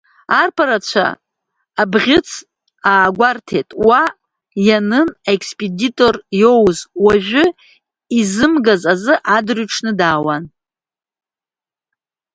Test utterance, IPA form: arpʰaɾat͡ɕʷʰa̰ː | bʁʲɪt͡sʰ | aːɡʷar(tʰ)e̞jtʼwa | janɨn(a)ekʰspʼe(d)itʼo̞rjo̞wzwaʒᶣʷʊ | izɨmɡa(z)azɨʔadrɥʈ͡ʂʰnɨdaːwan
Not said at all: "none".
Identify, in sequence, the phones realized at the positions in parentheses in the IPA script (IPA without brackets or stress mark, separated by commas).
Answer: tʰ, a, d, z